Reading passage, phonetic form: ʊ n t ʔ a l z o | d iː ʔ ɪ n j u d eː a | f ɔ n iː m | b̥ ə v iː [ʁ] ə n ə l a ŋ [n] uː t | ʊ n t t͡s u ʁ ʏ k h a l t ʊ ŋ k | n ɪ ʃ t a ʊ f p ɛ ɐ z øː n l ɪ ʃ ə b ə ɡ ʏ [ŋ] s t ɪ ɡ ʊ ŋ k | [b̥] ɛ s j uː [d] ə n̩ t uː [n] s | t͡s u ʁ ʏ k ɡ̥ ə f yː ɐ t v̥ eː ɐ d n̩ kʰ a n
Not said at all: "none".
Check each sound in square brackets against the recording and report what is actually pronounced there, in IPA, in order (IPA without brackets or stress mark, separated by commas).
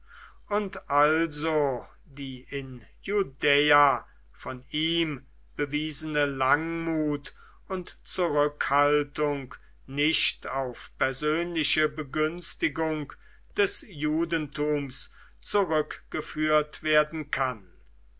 z, m, n, d̥, d, m